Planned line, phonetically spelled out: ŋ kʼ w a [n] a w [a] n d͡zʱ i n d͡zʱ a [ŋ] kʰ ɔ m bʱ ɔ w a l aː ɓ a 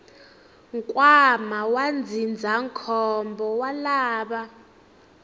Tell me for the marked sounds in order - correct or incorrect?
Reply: incorrect, correct, correct

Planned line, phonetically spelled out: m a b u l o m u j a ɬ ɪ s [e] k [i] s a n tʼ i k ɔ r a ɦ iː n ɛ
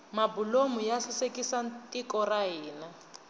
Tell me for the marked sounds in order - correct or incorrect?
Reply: correct, correct

